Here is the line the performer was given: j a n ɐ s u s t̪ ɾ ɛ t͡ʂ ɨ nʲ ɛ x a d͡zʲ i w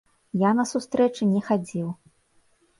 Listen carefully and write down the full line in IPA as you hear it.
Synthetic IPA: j a n ɐ s u s t̪ ɾ ɛ t͡ʂ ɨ nʲ ɛ x a d͡zʲ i w